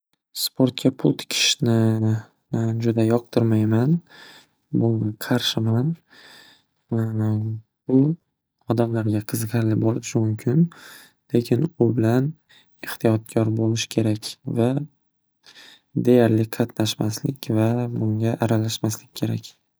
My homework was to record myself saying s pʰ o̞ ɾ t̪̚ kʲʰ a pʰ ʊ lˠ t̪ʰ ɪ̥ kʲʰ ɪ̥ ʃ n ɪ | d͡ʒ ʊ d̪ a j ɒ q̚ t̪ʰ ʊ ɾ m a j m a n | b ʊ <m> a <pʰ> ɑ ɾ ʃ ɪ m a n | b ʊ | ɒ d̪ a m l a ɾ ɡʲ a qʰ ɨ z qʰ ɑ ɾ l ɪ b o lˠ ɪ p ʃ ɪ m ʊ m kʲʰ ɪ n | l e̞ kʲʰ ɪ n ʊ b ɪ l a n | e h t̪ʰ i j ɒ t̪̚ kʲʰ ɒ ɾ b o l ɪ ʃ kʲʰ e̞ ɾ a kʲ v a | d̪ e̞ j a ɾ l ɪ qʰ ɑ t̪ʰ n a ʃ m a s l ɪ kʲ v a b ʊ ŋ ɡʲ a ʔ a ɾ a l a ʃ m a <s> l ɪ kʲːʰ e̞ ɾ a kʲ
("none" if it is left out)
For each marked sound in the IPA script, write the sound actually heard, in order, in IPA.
ŋ, qʰ, s

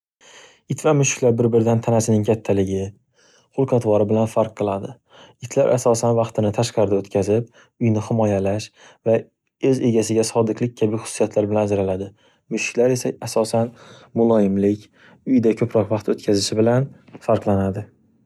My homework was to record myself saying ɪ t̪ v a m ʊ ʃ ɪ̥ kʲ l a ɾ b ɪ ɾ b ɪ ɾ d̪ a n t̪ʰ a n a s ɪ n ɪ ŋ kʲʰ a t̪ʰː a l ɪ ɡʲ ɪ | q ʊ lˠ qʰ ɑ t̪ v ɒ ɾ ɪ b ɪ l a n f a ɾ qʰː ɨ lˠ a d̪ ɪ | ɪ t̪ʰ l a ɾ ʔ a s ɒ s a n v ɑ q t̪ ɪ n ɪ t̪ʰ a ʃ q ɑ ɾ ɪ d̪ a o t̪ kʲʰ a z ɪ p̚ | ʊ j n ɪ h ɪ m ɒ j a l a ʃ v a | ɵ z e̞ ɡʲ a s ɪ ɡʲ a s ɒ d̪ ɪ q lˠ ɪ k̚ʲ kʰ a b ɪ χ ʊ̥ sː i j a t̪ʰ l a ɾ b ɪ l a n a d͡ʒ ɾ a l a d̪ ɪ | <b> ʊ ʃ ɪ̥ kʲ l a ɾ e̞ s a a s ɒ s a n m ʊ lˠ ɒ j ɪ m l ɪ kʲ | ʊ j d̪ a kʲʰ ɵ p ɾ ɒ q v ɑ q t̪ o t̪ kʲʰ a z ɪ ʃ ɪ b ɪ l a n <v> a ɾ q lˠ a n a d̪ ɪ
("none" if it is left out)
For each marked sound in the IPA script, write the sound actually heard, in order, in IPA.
m, f

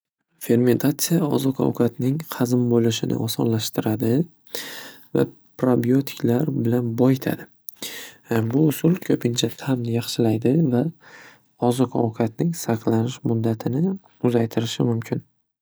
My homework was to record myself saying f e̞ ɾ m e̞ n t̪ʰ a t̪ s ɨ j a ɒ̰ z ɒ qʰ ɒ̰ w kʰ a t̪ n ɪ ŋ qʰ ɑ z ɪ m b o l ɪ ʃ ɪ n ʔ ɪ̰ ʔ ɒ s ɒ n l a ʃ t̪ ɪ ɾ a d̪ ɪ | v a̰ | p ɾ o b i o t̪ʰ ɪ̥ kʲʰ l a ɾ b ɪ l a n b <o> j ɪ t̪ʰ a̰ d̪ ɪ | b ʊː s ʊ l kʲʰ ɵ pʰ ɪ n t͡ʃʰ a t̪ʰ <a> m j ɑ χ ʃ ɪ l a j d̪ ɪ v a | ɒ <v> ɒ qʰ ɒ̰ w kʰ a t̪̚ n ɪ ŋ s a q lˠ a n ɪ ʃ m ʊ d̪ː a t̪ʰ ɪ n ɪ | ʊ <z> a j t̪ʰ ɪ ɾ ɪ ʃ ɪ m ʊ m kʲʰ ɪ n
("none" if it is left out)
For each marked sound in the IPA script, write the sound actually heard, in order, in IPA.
ɒ, a, z, z

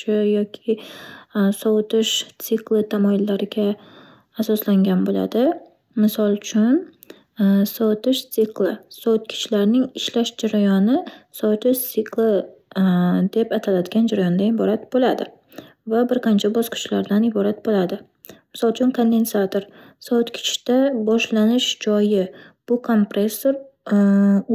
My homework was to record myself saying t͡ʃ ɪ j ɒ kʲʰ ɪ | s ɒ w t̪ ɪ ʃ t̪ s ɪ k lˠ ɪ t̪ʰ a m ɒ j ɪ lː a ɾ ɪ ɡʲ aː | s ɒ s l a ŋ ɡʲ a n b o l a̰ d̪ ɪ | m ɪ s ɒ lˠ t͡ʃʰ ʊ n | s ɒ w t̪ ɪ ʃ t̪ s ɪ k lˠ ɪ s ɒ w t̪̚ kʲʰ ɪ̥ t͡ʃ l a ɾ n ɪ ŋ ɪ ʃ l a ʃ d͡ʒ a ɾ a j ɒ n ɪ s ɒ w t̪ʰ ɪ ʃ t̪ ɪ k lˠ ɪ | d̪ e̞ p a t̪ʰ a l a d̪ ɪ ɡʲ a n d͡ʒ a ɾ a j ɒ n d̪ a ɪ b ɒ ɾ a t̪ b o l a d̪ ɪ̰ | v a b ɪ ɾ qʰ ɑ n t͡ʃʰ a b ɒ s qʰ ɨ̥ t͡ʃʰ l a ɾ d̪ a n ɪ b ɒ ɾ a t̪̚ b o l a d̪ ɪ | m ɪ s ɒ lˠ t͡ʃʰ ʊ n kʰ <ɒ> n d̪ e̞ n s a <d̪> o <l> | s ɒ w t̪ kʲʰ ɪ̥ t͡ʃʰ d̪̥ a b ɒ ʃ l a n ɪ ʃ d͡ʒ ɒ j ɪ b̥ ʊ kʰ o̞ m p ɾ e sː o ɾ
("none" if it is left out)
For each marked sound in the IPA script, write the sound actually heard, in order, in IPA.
o, t̪, ɾ

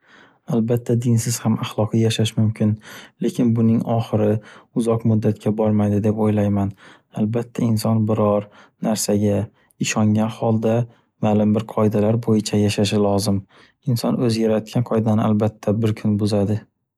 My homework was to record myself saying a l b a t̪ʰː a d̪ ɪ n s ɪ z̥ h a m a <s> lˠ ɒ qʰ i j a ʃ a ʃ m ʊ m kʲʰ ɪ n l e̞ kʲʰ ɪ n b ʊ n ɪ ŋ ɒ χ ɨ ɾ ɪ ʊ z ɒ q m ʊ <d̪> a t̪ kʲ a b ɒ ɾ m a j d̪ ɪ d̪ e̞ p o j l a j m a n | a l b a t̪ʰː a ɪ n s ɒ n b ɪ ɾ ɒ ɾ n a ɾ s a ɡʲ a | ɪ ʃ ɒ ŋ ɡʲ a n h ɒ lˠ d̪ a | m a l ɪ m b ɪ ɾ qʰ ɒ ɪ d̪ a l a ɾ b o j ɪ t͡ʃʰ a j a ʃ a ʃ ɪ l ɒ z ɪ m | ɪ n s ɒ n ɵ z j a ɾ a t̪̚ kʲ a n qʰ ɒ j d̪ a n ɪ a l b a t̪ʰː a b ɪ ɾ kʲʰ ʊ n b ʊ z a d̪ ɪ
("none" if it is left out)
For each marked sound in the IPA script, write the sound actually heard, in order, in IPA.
χ, d̪ː

